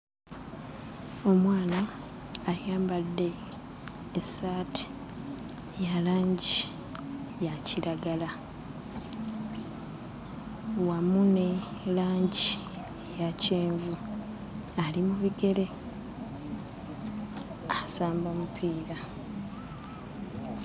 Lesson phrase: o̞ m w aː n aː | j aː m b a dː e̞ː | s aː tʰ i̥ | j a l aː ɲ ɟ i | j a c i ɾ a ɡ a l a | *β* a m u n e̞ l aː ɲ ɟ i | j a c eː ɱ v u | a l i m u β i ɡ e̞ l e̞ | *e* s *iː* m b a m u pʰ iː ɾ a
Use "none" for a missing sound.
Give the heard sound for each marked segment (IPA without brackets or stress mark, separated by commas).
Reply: w, a, aː